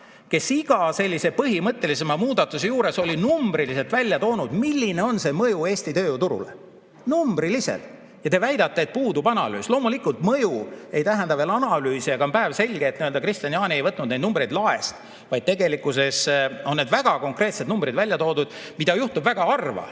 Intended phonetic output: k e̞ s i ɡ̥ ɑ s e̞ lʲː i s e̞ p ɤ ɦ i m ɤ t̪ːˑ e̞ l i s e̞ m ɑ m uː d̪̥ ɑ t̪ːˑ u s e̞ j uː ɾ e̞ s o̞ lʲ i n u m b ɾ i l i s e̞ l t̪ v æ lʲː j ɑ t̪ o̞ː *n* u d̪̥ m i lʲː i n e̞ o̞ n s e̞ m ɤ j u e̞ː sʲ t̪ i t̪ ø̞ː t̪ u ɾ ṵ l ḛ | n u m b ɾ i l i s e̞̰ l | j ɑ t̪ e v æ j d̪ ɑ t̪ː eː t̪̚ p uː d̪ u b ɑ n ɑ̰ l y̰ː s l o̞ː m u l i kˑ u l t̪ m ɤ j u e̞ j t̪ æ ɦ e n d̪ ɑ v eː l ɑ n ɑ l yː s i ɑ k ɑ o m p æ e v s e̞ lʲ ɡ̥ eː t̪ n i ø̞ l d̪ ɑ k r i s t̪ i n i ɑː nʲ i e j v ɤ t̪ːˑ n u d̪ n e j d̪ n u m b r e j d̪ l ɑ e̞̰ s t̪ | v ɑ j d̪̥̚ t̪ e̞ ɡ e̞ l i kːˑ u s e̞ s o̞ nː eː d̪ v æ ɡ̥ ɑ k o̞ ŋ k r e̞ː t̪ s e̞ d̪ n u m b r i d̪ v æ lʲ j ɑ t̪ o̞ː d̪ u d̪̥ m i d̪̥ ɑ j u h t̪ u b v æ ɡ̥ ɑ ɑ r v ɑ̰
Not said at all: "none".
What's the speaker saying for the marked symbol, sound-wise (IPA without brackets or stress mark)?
n